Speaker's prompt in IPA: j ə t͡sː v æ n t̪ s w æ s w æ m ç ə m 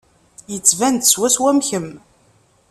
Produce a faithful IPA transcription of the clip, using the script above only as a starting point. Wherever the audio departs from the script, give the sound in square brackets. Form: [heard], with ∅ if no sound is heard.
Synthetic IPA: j ə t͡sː v æ n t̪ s w æ s w æ m ç ə m